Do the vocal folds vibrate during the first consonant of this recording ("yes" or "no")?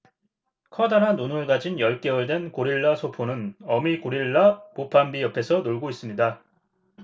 no